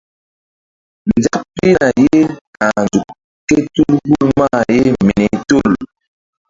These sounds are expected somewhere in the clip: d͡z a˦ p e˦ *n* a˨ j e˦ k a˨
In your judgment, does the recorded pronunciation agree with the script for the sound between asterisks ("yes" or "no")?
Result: yes